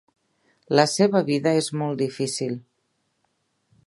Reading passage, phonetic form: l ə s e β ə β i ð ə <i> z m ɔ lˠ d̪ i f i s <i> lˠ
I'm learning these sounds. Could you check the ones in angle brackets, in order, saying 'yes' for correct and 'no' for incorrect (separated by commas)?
no, yes